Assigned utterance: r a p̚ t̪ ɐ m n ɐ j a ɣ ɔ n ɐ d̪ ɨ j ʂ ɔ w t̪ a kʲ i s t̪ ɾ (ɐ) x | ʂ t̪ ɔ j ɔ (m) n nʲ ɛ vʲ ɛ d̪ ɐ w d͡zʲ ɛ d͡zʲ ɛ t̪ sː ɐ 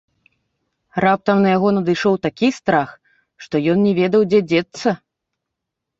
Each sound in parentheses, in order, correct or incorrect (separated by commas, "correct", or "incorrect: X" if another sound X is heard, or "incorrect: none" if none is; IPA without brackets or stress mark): incorrect: a, incorrect: none